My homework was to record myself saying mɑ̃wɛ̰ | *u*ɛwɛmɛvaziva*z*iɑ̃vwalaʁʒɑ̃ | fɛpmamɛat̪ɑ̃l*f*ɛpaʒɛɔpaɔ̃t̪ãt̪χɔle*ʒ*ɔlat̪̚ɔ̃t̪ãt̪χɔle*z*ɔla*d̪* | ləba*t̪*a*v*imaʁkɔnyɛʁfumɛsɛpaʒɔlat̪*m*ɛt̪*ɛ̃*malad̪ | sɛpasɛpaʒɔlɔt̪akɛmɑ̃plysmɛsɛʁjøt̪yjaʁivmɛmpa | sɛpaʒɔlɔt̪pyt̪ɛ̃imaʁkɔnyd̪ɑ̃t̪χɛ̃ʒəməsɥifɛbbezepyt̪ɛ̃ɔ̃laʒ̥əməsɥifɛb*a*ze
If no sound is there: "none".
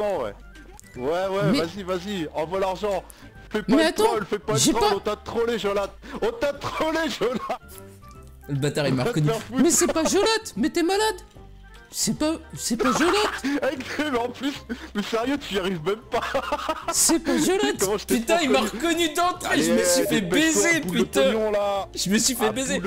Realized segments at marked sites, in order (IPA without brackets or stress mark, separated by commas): w, z, f, ʒ, ʒ, t̪, t̪, ʁ, m, ɛ, e